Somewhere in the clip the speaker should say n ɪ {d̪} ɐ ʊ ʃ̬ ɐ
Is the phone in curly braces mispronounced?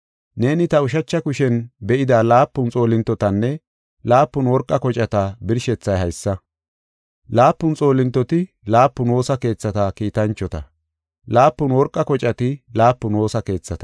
yes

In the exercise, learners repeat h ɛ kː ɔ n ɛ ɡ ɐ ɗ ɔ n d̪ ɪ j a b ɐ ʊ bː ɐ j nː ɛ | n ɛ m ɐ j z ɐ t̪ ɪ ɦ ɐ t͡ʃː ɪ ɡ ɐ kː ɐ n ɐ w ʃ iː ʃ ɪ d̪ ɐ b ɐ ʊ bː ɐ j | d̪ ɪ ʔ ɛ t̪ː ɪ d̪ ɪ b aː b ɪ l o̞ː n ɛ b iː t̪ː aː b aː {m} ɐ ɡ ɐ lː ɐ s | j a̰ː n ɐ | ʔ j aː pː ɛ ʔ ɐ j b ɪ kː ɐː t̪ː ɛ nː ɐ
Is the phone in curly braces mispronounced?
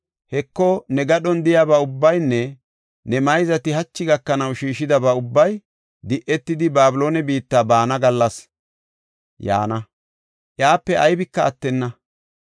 yes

